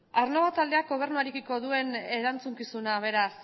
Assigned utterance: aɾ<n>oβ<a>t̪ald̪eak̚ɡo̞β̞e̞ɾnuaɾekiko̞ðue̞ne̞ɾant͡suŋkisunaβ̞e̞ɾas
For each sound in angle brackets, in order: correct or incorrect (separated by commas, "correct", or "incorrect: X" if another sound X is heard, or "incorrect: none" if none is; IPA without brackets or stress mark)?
correct, correct